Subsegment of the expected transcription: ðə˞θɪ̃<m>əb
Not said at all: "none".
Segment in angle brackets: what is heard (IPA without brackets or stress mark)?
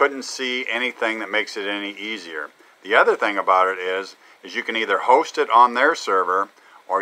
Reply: ŋ